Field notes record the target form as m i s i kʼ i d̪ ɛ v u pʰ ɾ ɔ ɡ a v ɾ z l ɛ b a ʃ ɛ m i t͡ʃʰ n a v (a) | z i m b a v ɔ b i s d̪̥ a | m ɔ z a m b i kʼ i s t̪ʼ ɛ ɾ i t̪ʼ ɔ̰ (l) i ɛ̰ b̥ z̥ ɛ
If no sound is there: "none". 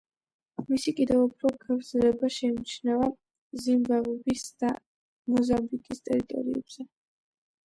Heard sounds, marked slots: a, ɾ

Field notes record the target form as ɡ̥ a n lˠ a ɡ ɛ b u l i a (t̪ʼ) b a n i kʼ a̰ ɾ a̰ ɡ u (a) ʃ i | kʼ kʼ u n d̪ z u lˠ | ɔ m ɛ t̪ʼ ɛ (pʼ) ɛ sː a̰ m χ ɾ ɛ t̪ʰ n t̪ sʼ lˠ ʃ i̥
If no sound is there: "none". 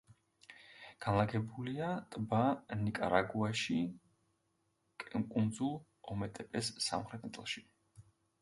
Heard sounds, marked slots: t̪ʼ, a, pʼ

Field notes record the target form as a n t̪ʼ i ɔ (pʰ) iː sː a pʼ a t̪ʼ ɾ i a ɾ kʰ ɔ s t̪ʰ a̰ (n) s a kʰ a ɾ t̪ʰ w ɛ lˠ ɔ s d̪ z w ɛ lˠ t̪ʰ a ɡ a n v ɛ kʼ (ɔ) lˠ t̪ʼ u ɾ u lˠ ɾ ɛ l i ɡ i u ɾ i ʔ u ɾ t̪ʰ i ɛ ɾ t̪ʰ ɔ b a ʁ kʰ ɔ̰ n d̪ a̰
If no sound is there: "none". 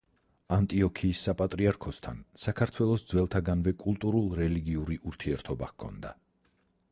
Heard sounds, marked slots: kʰ, n, u

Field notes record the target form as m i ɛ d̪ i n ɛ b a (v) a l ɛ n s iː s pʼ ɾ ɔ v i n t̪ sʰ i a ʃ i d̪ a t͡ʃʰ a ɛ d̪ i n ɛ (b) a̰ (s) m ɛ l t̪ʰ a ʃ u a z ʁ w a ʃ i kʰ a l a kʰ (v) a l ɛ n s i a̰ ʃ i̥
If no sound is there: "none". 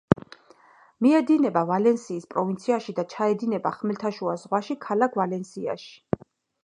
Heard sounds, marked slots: v, b, χ, v

